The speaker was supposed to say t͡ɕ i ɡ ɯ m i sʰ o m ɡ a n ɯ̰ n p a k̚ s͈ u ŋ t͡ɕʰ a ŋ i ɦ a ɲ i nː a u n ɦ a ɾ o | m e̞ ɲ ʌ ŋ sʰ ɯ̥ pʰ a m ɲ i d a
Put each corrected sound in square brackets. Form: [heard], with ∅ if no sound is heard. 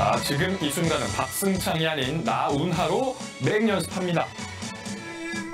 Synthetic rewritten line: t͡ɕ i ɡ ɯ m i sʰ [u] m ɡ a n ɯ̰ n p a k̚ s͈ [ɯ] ŋ t͡ɕʰ a ŋ i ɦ a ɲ i nː a u n ɦ a ɾ o | m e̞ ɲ ʌ [n] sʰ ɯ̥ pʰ a m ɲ i d a